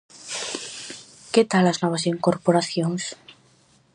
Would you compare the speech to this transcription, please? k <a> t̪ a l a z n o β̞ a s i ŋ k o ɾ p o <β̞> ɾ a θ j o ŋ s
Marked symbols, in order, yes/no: no, no

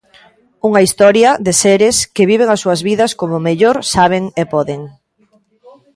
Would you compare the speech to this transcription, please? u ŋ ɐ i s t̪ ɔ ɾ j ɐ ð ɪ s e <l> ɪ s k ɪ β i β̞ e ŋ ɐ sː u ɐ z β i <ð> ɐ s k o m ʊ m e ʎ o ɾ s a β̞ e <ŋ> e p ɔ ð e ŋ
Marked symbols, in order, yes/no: no, yes, yes

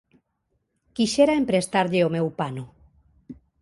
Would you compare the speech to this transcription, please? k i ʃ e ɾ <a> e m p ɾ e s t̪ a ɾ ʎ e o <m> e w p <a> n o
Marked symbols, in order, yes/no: yes, yes, yes

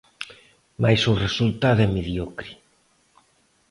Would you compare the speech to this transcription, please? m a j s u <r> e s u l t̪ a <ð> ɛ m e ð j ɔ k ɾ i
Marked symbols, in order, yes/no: yes, yes

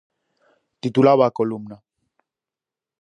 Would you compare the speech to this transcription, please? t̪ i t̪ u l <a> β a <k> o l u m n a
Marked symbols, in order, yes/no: yes, yes

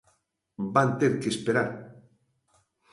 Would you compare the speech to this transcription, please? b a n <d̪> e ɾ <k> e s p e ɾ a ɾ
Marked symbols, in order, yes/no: no, yes

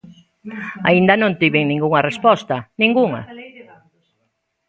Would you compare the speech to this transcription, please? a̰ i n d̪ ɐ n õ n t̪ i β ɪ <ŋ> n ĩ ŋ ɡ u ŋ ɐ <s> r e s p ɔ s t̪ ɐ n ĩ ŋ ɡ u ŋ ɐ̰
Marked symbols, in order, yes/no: yes, no

